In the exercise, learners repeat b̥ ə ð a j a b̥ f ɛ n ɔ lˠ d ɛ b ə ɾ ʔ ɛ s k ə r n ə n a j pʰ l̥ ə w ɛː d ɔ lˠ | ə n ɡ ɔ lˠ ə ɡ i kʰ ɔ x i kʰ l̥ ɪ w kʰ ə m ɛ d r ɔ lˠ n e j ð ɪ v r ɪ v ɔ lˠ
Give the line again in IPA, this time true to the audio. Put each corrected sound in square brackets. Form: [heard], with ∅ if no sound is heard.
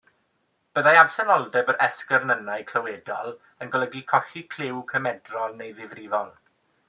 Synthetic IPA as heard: b̥ ə ð a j a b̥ [s] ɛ n ɔ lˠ d ɛ b ə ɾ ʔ ɛ s k ə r n ə n a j [kʰ] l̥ ə w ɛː d ɔ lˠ | ə n ɡ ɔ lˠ ə ɡ i kʰ ɔ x i kʰ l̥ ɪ w kʰ ə m ɛ d r ɔ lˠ n e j ð ɪ v r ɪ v ɔ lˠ